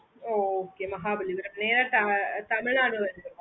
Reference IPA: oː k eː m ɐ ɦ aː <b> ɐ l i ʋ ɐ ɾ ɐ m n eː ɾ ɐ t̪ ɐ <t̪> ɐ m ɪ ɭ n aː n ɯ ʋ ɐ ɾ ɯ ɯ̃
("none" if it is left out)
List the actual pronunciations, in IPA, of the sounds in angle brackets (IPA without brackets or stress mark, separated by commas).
b, t̪